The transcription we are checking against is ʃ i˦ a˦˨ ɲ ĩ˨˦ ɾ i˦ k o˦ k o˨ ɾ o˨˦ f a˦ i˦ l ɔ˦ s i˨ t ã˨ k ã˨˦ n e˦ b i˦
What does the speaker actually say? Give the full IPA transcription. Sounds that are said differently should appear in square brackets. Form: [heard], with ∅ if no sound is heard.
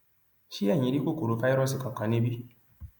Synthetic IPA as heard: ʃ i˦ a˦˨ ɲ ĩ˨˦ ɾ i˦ k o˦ k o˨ ɾ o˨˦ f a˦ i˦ [ɾ] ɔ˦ s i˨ [k] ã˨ k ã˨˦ n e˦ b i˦